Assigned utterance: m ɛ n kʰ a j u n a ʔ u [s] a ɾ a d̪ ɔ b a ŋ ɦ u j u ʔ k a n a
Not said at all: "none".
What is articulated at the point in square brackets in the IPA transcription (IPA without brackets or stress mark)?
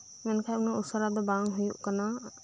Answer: s